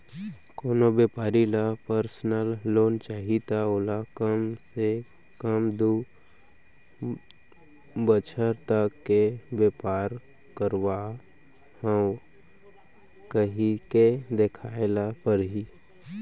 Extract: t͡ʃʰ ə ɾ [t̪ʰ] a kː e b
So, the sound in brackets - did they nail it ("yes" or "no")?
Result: no